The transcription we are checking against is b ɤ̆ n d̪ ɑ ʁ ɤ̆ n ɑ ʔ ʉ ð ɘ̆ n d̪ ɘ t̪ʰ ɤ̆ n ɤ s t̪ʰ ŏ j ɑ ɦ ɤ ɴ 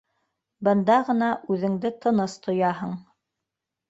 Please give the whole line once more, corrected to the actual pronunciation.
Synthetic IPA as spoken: b ɤ̆ n d̪ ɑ ʁ ɤ̆ n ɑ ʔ ʉ ð ɘ̆ ŋ d̪ ɘ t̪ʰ ɤ̆ n ɤ s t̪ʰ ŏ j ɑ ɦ ɤ ɴ